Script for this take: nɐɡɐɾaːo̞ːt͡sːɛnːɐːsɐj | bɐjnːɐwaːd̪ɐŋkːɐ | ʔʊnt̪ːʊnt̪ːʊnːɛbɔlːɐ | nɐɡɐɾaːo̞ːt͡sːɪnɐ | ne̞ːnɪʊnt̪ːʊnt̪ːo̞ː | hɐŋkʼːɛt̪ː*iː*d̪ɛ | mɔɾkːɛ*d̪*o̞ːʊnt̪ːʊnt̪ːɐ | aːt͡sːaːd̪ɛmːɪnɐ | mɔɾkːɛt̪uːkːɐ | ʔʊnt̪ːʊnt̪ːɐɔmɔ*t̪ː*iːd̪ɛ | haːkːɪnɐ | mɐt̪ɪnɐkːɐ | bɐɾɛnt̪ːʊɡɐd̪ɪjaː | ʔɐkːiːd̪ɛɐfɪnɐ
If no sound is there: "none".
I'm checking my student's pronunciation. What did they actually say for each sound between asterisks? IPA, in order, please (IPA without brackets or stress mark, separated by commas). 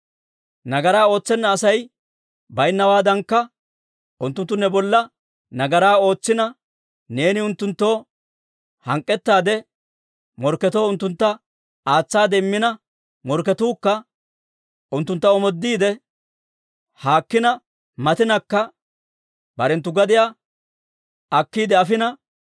aː, t̪, d̪ː